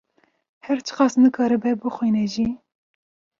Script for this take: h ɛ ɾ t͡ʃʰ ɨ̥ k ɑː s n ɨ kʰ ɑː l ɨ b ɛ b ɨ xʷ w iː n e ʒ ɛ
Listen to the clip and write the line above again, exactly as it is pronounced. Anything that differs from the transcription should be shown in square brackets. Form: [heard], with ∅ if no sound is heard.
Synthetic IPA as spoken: h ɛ ɾ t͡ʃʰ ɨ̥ [q] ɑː s n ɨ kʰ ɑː [ɾ] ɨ b ɛ b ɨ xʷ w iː n [ɛ] ʒ [i]